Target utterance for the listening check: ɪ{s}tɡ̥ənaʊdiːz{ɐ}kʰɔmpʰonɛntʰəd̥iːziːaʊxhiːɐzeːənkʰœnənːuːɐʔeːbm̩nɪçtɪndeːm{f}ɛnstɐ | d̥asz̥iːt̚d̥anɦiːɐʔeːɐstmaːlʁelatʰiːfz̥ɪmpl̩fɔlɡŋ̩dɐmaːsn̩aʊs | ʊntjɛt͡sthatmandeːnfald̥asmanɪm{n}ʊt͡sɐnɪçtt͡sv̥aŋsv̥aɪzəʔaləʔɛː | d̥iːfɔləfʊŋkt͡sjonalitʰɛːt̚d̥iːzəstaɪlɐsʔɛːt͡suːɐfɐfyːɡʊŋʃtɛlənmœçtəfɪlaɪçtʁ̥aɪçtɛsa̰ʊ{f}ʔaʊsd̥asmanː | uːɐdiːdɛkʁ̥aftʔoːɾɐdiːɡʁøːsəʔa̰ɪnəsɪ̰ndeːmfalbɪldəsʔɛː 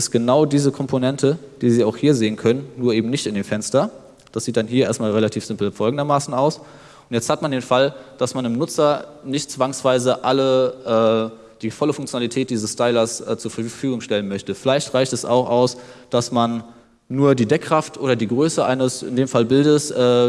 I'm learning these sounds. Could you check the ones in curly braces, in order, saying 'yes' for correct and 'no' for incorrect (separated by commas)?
yes, no, yes, yes, no